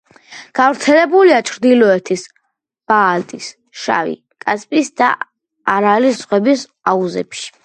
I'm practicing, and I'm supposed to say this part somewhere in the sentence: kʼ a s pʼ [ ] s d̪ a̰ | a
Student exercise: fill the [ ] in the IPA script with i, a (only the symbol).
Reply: i